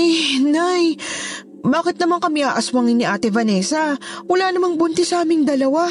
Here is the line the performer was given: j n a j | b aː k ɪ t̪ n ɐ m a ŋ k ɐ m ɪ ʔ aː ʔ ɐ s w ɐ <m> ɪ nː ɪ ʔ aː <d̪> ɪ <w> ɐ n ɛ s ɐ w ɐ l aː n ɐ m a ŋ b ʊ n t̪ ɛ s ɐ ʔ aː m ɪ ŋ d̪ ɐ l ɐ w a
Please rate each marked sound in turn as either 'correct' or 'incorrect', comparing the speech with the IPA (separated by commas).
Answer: incorrect, incorrect, incorrect